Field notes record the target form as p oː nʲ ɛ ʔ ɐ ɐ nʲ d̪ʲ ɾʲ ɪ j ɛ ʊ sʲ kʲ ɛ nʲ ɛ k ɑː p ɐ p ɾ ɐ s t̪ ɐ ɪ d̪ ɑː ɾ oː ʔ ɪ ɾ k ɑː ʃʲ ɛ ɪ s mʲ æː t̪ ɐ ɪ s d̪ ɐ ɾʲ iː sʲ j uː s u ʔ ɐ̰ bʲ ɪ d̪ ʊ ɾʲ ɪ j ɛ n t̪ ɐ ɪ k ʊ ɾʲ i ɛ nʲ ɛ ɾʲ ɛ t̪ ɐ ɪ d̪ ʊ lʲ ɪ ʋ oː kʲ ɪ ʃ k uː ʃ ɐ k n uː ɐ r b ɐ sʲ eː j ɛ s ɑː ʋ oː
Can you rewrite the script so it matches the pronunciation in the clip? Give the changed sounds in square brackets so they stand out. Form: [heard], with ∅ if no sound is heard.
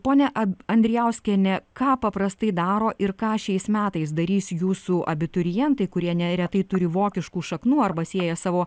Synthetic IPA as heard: p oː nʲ ɛ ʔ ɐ ɐ nʲ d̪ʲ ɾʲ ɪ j ɛ ʊ sʲ kʲ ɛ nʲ ɛ k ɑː p ɐ p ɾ ɐ s t̪ ɐ ɪ d̪ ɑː ɾ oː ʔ ɪ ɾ k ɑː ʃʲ ɛ ɪ s mʲ æː t̪ ɐ ɪ s d̪ ɐ ɾʲ iː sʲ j uː s u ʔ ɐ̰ bʲ ɪ [t̪] ʊ ɾʲ ɪ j ɛ n t̪ ɐ ɪ k ʊ ɾʲ i ɛ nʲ ɛ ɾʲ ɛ t̪ ɐ ɪ [t̪] ʊ [ɾʲ] ɪ ʋ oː kʲ ɪ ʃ k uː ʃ ɐ k n uː ɐ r b ɐ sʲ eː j ɛ s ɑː ʋ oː